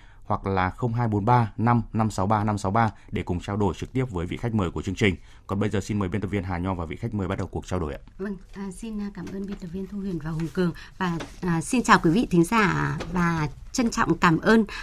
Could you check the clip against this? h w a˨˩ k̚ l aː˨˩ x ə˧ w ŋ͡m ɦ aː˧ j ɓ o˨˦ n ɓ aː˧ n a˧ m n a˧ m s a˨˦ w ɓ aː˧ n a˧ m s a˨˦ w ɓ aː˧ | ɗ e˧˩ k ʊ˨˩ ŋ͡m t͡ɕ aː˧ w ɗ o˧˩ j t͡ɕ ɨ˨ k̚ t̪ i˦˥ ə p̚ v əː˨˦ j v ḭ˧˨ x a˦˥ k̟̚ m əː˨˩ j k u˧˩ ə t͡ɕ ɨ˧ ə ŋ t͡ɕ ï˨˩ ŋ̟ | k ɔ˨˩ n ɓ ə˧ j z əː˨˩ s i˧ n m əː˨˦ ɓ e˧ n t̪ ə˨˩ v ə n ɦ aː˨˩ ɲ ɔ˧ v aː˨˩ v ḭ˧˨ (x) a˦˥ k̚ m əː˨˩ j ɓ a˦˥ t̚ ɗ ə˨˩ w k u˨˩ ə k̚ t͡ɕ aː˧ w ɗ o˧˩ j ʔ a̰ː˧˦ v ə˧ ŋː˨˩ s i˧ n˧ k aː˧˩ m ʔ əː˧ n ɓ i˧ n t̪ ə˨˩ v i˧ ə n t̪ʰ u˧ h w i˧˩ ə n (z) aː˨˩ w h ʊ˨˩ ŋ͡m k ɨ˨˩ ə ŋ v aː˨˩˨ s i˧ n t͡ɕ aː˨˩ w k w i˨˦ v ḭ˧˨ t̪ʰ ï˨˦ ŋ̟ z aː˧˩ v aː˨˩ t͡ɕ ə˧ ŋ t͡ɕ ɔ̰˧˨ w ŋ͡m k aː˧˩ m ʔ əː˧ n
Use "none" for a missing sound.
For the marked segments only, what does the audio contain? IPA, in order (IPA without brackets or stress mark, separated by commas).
x, v